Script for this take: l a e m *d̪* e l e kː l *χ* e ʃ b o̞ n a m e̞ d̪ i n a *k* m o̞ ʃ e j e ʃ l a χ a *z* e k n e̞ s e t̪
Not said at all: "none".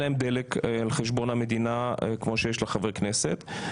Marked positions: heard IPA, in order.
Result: d̪, χ, k, v

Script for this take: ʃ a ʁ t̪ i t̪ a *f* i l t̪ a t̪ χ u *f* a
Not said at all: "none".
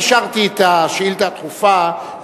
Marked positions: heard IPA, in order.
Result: ʃ, f

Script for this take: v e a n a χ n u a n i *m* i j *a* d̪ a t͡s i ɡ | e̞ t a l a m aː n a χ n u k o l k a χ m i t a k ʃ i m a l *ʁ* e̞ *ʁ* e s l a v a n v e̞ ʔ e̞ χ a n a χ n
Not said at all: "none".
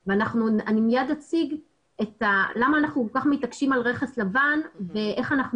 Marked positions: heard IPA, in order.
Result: m, a, ʁ, χ

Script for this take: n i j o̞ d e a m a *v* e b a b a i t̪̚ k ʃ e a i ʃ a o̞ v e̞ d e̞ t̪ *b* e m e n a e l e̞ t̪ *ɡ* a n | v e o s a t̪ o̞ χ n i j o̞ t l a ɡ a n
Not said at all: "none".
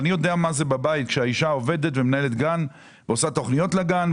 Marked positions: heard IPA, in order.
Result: z, v, ɡ

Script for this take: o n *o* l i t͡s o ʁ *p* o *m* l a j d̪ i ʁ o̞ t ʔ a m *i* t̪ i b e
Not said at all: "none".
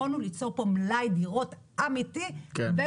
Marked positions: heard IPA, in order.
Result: u, p, m, i

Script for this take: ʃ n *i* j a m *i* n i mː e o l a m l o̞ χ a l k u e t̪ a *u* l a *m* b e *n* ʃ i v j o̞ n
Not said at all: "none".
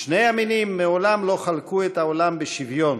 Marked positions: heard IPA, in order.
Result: e, i, o, m, none

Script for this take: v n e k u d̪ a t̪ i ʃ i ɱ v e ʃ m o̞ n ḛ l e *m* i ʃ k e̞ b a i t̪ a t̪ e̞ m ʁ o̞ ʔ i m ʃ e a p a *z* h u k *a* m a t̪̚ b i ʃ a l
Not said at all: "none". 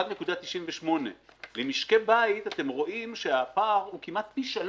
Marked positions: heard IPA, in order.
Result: m, ʁ, i

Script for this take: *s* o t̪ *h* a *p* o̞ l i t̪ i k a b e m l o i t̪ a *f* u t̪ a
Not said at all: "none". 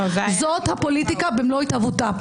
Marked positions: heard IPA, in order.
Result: z, h, p, v

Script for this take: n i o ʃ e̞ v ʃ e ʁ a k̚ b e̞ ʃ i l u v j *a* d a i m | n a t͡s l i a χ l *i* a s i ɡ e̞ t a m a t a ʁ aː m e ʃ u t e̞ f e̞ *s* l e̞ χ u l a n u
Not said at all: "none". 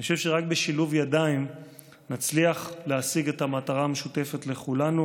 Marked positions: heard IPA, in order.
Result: a, e, t

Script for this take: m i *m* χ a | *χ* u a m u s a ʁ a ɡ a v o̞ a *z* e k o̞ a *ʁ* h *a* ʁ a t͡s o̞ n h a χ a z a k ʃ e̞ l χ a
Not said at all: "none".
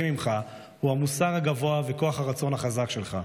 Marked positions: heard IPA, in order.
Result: m, h, v, χ, a

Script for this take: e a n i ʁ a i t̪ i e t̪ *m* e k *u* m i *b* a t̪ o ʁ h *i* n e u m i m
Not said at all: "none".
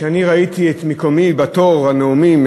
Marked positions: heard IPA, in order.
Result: m, o, b, a

